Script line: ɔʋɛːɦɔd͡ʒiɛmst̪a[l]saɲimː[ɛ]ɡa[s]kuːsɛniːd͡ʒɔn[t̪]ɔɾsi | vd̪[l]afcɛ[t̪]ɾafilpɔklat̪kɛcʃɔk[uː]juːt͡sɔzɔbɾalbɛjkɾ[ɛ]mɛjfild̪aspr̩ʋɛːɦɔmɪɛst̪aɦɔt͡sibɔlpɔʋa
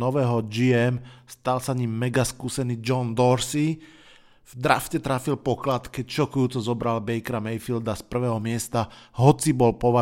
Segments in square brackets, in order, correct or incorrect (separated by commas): correct, correct, correct, incorrect, incorrect, correct, incorrect, incorrect